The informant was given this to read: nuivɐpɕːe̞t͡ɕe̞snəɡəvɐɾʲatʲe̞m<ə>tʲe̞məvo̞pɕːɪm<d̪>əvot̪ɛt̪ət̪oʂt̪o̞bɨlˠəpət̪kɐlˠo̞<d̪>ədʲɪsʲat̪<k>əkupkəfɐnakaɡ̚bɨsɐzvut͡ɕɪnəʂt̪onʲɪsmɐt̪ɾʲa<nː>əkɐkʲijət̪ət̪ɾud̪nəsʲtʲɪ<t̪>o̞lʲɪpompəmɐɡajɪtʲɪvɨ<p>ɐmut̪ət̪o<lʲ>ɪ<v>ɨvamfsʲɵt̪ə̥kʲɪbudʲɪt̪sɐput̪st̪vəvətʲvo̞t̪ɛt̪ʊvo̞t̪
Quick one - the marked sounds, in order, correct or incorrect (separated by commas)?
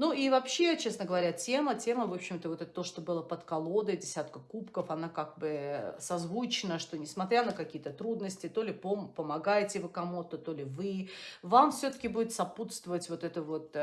correct, incorrect, correct, correct, incorrect, correct, incorrect, correct, correct